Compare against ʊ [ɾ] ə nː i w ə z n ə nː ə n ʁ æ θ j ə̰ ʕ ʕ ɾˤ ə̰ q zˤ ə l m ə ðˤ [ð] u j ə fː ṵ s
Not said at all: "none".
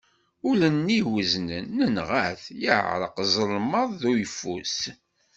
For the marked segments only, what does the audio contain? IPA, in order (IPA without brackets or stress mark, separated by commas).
l, ð